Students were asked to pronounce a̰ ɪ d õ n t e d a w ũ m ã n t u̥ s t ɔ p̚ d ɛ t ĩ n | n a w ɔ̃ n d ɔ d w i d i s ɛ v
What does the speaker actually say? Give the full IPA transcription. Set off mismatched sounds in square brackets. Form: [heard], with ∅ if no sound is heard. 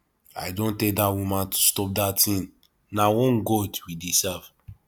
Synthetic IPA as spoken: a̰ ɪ d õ n t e d a w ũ m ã n t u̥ s t ɔ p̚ d [a] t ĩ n | n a w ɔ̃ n [ɡ] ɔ d w i d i s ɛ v